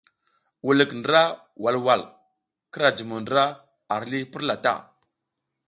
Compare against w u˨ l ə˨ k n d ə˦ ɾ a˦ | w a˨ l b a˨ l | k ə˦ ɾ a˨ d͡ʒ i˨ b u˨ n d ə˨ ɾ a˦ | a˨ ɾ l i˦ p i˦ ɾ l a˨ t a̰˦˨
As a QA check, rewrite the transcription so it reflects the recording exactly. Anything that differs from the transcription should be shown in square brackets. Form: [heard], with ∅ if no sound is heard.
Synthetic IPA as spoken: w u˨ l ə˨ k n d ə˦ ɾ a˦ | w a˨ l [w] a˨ l | k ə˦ ɾ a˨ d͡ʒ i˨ [m] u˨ n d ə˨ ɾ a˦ | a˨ ɾ l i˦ p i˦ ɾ l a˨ t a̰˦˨